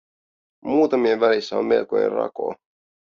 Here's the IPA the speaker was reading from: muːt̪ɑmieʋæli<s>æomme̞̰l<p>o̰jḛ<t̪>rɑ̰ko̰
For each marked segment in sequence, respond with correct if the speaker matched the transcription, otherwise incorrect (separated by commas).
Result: incorrect, incorrect, incorrect